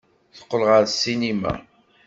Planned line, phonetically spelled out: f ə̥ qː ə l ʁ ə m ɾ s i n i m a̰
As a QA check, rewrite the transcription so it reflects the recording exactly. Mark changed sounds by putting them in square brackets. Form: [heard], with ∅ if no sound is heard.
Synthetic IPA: [θ] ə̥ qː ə l ʁ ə [∅] ɾ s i n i m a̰

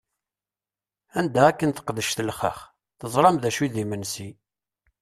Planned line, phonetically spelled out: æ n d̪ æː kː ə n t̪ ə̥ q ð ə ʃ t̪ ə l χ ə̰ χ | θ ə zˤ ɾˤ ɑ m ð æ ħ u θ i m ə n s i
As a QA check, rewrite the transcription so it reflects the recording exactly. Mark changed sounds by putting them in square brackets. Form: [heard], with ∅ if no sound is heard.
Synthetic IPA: æ n d̪ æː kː ə n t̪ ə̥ q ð ə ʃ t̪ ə l χ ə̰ χ | θ ə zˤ ɾˤ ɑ m ð æ [ʃ] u [ð] i m ə n s i

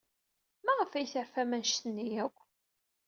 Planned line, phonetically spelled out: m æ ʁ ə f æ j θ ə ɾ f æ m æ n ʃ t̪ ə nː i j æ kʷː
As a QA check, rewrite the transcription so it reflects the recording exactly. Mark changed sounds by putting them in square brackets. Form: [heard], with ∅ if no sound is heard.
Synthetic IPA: m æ ʁ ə f æ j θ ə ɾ f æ m æ n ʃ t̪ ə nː i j æ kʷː

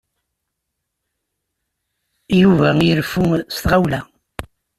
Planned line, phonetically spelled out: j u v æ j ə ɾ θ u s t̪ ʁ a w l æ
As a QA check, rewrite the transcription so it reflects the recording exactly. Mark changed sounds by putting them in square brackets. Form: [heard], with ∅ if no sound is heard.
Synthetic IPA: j u v æ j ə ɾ [f] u s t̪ ʁ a w l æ

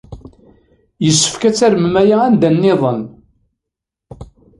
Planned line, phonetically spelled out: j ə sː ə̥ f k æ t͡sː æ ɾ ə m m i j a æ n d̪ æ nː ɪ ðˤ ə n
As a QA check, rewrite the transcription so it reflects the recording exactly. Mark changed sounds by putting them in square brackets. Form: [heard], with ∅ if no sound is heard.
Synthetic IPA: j ə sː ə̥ f k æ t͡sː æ ɾ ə m m [æ] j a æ n d̪ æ nː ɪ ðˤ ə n

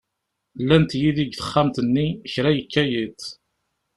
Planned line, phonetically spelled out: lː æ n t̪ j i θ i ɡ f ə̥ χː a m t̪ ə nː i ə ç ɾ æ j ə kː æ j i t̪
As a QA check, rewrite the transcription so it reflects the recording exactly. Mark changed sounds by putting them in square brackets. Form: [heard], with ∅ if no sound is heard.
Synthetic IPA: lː æ n t̪ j i [ð] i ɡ [θ] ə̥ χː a m t̪ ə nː i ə ç ɾ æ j ə kː æ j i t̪

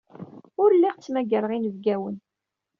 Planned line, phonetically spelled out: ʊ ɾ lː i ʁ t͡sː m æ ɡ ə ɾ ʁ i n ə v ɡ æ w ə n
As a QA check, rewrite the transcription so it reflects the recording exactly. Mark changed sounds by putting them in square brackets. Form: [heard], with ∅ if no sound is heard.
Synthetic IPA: ʊ ɾ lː i ʁ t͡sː m æ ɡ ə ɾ ʁ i n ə v ɡ æ w ə n

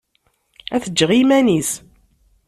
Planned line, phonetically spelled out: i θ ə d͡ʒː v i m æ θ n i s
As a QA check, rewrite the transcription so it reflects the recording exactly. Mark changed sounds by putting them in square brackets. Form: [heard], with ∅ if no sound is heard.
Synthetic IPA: [æ] θ ə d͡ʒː [ʁ] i m æ [∅] n i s

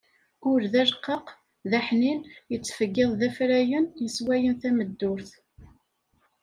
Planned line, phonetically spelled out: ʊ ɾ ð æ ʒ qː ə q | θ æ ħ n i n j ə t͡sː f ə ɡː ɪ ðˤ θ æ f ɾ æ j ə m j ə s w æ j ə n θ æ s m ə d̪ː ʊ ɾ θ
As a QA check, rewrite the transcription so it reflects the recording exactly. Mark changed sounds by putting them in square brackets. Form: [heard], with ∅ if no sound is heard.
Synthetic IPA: ʊ ɾ ð æ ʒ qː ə q | [ð] æ ħ n i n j ə t͡sː f ə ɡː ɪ ðˤ [ð] æ f ɾ æ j ə [n] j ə s w æ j ə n θ æ [∅] m ə d̪ː ʊ ɾ θ

